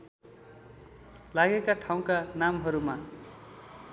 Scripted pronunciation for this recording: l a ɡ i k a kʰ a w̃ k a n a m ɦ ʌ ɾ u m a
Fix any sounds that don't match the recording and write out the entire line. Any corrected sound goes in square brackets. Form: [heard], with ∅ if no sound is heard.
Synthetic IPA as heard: l a ɡ [e] k a [ʈʰ] a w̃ k a n a m ɦ ʌ ɾ u m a